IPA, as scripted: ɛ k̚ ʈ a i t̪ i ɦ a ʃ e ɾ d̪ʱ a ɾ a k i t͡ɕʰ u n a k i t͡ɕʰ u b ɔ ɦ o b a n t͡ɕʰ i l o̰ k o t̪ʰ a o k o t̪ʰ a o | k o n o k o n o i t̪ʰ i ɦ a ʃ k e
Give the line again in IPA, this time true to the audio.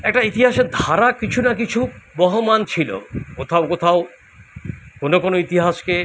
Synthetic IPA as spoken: ɛ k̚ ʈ a i t̪ i ɦ a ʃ e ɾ d̪ʱ a ɾ a k i t͡ɕʰ u n a k i t͡ɕʰ u b ɔ ɦ o m a n t͡ɕʰ i l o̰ k o t̪ʰ a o k o t̪ʰ a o | k o n o k o n o i t̪ i ɦ a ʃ k e

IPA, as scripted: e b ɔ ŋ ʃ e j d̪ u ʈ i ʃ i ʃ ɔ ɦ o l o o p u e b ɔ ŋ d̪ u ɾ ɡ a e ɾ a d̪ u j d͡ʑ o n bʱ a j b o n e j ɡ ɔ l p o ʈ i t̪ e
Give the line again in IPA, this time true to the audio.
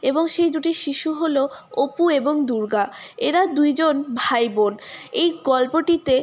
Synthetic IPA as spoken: e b o ŋ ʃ e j d̪ u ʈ i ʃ i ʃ u ɦ o l o o p u e b o ŋ d̪ u ɾ ɡ a e ɾ a d̪ u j d͡ʑ o n bʱ a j b o n e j ɡ ɔ l p o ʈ i t̪ e

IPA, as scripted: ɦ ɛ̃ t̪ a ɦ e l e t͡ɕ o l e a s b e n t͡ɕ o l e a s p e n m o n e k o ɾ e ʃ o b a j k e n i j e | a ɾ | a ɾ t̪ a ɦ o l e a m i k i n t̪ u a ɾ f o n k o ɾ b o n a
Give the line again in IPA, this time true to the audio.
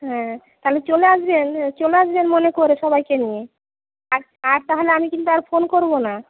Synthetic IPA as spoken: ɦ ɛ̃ t̪ a ɦ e l e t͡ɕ o l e a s b e n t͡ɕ o l e a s b e n m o n e k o ɾ e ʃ ɔ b a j k e n i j e | a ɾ | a ɾ t̪ a ɦ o l e a m i k i n t̪ u a ɾ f o n k o ɾ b o n a

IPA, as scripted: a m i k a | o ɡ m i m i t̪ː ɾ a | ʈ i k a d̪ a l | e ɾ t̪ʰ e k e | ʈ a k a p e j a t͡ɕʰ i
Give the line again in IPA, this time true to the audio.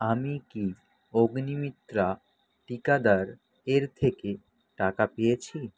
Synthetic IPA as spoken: a m i k i | o ɡ n i m i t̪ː ɾ a | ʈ i k a d̪ a ɾ | e ɾ t̪ʰ e k e | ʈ a k a p e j e t͡ɕʰ i

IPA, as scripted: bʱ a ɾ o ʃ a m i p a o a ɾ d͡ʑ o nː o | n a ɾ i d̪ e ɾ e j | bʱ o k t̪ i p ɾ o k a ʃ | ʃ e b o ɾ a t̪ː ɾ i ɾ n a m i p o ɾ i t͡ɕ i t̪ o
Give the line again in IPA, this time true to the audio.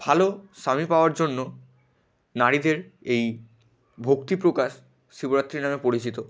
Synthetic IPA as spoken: bʱ a l o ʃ a m i p a o a ɾ d͡ʑ o nː o | n a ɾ i d̪ e ɾ e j | bʱ o k t̪ i p ɾ o k a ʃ | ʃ i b o ɾ a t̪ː ɾ i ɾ n a m e p o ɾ i t͡ɕ i t̪ o

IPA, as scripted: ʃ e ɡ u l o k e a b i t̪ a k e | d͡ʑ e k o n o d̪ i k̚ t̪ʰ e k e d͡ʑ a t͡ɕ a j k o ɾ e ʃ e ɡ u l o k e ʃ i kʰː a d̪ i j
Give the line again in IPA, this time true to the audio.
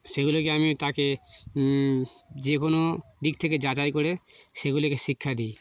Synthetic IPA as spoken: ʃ e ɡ u l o k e a m i t̪ a k e | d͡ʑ e k o n o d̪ i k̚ t̪ʰ e k e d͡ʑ a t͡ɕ a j k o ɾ e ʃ e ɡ u l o k e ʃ i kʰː a d̪ i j

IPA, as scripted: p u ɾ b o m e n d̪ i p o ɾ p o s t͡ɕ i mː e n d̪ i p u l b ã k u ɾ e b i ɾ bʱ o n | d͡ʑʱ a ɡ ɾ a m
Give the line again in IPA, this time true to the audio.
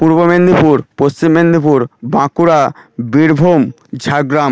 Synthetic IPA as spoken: p u ɾ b o m e n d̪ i p u ɾ p o s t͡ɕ i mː e n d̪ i p u ɾ b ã k u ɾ a b i ɾ bʱ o m | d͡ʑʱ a ɡ ɾ a m

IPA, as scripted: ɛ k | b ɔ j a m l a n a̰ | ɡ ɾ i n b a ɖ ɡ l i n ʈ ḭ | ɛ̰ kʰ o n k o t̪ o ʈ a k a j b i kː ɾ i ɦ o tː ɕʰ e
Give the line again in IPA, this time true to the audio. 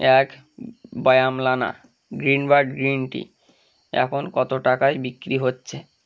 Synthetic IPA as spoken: ɛ k | b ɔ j a m l a n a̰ | ɡ ɾ i n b a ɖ ɡ ɾ i n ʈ ḭ | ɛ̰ kʰ o n k ɔ t̪ o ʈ a k a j b i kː ɾ i ɦ o tː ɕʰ e

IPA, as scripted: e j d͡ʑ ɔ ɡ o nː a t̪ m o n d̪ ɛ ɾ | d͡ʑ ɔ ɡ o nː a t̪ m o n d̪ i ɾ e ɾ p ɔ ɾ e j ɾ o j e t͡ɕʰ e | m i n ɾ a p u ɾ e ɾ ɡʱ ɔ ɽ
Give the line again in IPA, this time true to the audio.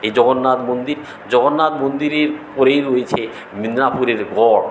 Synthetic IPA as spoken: e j d͡ʑ ɔ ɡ o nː a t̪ m o n d̪ i ɾ | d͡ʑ ɔ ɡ o nː a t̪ m o n d̪ i ɾ e ɾ p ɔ ɾ e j ɾ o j e t͡ɕʰ e | m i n ɾ a p u ɾ e ɾ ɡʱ ɔ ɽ

